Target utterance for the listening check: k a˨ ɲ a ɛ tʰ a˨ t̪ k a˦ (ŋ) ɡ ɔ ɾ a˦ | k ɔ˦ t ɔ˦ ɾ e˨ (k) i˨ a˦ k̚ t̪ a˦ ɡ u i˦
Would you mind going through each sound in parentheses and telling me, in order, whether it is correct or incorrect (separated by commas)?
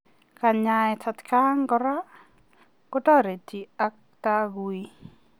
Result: correct, incorrect